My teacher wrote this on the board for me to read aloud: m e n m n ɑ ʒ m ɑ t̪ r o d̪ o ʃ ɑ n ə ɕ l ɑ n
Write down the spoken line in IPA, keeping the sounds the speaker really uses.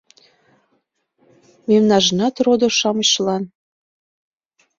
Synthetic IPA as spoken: m e m n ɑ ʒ n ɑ t̪ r o d̪ o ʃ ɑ m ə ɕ l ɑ n